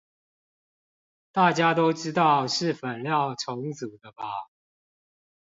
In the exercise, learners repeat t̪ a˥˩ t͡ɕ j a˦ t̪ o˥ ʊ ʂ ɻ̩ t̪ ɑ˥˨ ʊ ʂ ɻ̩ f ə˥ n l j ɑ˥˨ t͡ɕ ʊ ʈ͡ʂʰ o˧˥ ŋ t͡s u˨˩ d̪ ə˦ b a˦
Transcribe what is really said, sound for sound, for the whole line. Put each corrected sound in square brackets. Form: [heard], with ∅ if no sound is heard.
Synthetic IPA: t̪ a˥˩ t͡ɕ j a˦ t̪ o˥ ʊ [ʈ͡ʂ] ɻ̩ t̪ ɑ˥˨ ʊ ʂ ɻ̩ f [ə˨˩] n l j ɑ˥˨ [∅] ʊ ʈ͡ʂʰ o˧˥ ŋ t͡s u˨˩ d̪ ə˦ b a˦